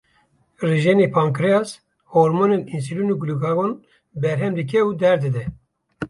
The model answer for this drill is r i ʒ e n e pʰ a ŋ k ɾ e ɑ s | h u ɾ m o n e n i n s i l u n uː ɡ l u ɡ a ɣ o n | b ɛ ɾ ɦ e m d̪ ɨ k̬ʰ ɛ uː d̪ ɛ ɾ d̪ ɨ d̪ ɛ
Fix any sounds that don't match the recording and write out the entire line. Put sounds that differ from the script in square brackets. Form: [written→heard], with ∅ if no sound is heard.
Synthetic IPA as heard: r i ʒ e n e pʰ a ŋ k ɾ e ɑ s | h [u→o] ɾ m o n e n i n s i l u n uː ɡ l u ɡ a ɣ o n | b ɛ ɾ ɦ [e→ɛ] m d̪ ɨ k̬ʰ ɛ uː d̪ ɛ ɾ d̪ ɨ d̪ ɛ